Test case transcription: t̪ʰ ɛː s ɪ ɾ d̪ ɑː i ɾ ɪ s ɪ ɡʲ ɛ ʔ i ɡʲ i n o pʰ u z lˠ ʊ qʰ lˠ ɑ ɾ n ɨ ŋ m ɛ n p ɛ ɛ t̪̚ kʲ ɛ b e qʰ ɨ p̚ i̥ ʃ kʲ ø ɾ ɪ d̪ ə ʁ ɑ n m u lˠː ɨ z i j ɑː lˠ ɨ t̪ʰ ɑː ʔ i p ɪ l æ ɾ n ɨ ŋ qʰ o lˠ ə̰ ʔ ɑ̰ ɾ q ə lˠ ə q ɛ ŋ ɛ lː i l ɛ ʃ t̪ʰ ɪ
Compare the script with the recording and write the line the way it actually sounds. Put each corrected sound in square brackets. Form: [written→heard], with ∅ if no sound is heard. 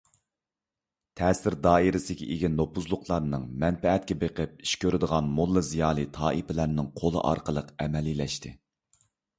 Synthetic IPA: t̪ʰ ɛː s ɪ ɾ d̪ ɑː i ɾ ɪ s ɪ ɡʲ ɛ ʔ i ɡʲ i n o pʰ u z lˠ ʊ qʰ lˠ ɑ ɾ n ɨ ŋ m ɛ n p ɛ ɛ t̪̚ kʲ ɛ b e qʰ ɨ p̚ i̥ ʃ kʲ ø ɾ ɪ d̪ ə ʁ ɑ n m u lˠː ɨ z i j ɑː lˠ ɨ t̪ʰ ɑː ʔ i p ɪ l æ ɾ n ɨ ŋ qʰ o lˠ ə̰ ʔ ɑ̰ ɾ q ə lˠ ə q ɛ [ŋ→m] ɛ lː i l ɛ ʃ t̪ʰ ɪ